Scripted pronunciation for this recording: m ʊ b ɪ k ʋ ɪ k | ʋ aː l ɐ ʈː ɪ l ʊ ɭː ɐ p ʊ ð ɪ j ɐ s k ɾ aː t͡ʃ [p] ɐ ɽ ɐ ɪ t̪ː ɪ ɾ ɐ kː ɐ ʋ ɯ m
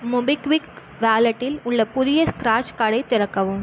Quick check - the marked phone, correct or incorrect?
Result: incorrect